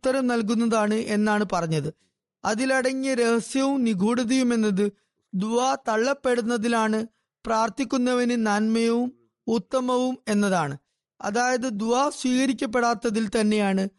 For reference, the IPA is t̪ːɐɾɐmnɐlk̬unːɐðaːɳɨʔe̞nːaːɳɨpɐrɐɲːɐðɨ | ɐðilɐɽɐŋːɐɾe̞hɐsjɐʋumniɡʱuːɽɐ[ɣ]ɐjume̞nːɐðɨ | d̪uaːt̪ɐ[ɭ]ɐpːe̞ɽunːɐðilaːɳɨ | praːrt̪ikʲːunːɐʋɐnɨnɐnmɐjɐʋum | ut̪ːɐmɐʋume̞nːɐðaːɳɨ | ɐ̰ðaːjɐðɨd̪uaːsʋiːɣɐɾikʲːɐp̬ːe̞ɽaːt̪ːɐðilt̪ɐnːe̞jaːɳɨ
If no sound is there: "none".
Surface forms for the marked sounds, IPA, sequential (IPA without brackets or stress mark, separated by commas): ð, ɭː